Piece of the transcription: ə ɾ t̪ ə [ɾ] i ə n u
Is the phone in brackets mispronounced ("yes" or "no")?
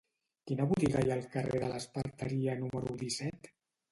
no